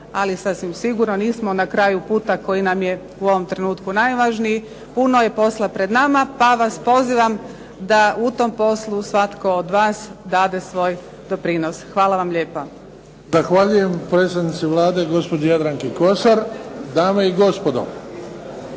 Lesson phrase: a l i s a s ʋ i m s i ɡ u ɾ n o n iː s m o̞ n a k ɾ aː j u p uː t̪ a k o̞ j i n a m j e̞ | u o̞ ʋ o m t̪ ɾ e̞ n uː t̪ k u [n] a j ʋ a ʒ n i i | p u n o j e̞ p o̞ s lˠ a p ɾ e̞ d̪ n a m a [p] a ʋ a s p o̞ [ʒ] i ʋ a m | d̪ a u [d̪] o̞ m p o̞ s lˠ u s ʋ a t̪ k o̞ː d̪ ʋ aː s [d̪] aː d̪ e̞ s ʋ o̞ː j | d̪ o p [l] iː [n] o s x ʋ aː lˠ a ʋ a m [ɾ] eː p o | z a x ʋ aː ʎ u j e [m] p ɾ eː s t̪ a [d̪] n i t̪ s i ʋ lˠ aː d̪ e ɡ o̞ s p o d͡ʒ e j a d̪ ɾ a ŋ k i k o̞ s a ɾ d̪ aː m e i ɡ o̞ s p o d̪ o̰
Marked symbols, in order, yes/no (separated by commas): yes, yes, no, no, yes, no, yes, no, yes, yes